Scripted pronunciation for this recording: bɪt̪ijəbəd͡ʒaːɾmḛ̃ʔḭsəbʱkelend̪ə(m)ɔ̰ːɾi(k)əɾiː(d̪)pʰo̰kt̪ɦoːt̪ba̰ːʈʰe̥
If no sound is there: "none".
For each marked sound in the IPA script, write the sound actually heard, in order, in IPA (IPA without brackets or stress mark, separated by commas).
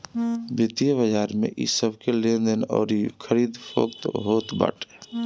n, kʰ, d̪